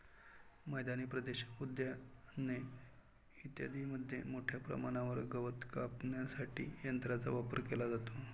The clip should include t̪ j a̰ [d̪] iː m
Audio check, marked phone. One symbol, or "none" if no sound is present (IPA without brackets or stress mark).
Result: d̪